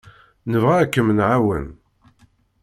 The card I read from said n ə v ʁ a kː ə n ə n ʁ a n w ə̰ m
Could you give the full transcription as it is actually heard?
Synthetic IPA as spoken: n ə v ʁ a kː ə m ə n ʕ a w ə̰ n